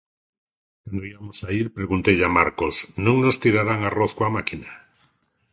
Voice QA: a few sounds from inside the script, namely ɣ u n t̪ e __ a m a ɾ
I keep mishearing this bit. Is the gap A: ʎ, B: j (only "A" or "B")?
A